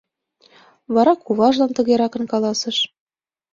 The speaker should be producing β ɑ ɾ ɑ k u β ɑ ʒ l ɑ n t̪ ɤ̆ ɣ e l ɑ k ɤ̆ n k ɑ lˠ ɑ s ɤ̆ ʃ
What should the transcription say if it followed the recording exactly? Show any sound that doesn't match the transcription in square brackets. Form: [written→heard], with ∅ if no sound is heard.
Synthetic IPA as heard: β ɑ ɾ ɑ k u β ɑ ʒ l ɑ n t̪ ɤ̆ ɣ e [l→ɾ] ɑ k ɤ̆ n k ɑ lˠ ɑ s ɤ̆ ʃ